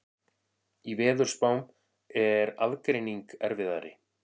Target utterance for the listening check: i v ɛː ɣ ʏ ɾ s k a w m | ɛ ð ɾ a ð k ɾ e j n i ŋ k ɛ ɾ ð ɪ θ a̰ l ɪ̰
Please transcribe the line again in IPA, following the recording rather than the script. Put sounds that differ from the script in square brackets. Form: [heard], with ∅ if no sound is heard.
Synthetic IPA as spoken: i v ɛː [ð] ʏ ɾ s [p] a w m | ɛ [∅] ɾ a ð k ɾ e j n i ŋ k ɛ ɾ [v] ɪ [ð] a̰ [ɾ] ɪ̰